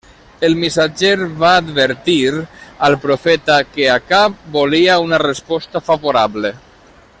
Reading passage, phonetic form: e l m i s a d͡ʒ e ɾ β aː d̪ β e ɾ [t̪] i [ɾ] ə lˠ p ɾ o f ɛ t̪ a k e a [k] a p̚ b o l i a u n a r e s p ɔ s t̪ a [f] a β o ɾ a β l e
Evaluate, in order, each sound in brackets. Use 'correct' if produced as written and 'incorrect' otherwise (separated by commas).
correct, correct, correct, correct